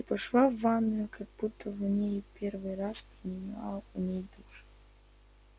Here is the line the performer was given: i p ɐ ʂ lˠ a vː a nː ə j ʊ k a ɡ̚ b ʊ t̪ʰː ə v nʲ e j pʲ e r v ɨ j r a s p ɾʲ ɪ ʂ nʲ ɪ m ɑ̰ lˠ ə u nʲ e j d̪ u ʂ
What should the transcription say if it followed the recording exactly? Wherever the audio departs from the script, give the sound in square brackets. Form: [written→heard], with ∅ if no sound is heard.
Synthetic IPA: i p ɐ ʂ lˠ a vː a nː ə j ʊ k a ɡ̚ b [ʊ→u] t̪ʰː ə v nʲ e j pʲ e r v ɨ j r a s p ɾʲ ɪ [ʂ→∅] nʲ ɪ m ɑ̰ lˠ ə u nʲ e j d̪ u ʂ